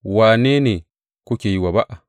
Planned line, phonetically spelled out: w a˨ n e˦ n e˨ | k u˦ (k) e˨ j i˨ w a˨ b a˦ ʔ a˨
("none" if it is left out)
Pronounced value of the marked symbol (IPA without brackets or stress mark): k